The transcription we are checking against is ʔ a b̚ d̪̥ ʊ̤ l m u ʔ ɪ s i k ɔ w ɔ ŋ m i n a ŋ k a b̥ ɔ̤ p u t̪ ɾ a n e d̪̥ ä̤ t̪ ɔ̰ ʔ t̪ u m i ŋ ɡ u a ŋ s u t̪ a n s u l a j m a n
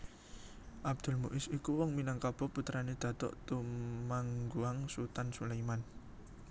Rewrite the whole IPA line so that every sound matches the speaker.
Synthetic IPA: ʔ a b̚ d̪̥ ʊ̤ l m u ʔ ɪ s i k u w ɔ ŋ m i n a ŋ k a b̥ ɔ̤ p u t̪ ɾ a n e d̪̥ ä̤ t̪ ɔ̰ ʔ t̪ u m a ŋ ɡ u a ŋ s u t̪ a n s u l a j m a n